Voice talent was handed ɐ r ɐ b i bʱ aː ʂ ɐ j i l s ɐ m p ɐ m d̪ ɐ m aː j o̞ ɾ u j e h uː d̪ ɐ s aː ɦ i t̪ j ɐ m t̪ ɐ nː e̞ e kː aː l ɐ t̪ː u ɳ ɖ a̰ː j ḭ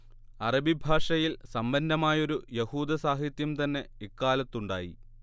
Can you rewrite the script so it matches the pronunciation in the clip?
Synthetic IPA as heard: ɐ r ɐ b i bʱ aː ʂ ɐ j i l s ɐ m b ɐ n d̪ ɐ m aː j o̞ ɾ u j e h uː d̪ ɐ s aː ɦ i t̪ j ɐ m t̪ ɐ nː e̞ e kː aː l ɐ t̪ː u ɳ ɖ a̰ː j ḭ